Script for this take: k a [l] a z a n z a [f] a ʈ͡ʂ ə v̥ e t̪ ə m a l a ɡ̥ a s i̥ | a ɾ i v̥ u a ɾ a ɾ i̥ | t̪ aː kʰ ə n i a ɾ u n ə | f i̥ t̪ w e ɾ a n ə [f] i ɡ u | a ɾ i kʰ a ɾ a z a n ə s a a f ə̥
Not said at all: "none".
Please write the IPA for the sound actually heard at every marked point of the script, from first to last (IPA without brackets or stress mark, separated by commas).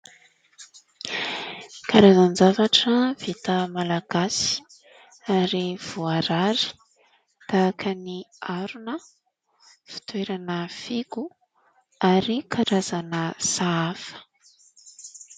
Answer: ɾ, v, f